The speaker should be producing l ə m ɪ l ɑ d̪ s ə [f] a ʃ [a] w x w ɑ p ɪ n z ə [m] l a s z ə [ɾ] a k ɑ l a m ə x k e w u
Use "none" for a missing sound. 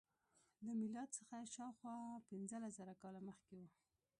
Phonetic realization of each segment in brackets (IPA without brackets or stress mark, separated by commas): x, ɑ, none, ɾ